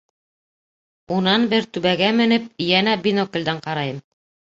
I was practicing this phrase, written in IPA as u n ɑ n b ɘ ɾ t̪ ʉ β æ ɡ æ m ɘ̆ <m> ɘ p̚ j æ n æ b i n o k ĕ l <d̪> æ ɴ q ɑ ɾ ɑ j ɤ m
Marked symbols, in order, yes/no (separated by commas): no, yes